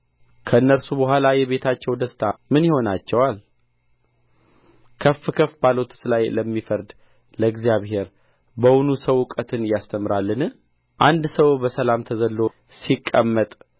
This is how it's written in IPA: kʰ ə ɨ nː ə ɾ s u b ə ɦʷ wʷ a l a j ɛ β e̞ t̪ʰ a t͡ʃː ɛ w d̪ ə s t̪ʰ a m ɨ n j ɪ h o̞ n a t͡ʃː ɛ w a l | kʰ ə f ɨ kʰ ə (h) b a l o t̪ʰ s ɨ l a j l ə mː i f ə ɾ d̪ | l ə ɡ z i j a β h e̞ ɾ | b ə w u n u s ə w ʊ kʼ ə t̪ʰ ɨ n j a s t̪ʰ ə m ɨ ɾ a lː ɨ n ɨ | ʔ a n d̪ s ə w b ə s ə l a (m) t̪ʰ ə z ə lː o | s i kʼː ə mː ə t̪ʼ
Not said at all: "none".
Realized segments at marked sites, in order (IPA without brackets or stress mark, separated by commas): f, m